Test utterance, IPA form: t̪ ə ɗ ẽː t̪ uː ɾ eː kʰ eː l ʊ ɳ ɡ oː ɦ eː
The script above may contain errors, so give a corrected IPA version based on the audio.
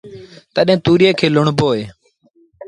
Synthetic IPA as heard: t̪ ə ɗ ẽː t̪ uː ɾ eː kʰ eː l ʊ ɳ b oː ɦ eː